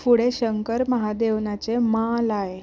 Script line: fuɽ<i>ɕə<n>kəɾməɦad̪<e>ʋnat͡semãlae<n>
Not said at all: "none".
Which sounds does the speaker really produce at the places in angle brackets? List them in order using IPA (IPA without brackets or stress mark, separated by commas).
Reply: e, ŋ, e, none